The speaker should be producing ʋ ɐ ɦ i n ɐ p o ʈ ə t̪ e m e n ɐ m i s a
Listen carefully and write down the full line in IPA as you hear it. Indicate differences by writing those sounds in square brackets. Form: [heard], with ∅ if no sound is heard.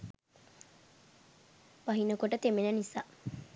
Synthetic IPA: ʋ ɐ ɦ i n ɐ [k] o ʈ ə t̪ e m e n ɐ [n] i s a